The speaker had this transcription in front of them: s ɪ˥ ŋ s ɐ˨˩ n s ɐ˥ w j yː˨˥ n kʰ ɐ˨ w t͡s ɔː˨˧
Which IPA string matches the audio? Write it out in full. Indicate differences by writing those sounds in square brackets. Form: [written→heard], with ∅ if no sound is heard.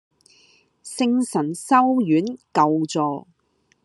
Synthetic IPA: s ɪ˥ ŋ s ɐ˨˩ n s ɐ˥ w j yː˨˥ n [kʰ→k] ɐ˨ w t͡s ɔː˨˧